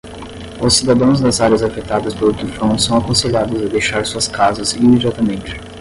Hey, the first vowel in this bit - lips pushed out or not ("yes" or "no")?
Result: yes